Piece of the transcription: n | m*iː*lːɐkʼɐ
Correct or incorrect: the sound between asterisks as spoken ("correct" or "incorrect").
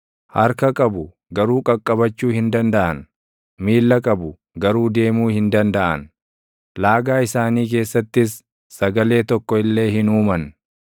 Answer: correct